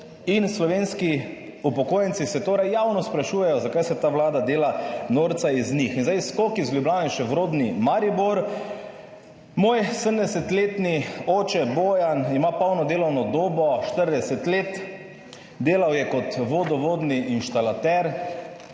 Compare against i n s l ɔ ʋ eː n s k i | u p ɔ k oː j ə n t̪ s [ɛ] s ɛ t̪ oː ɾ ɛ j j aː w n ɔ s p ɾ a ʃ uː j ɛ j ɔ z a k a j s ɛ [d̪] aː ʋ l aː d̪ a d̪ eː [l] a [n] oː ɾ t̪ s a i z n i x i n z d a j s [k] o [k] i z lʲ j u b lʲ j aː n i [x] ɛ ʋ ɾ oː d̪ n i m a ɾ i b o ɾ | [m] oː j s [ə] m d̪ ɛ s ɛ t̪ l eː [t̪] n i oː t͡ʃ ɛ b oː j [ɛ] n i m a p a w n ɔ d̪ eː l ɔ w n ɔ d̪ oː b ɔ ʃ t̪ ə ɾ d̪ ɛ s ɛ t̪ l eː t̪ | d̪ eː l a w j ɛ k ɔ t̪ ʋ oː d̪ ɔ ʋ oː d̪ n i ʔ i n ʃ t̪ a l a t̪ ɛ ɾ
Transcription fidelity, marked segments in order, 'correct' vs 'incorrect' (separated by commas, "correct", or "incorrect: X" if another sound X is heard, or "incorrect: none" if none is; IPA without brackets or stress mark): incorrect: i, incorrect: t̪, correct, correct, correct, correct, incorrect: ʃ, correct, correct, correct, incorrect: a